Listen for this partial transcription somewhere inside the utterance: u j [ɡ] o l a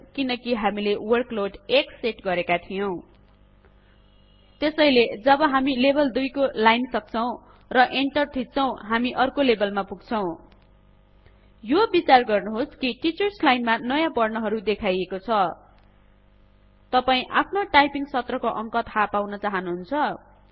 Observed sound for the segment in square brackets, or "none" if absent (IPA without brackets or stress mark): k